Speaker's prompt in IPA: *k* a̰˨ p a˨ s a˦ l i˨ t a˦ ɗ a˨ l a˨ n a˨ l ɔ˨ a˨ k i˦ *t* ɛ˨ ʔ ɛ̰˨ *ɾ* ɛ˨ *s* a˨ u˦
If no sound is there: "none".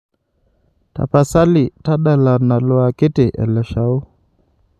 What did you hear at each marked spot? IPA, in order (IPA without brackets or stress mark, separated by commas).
t, t, l, ʃ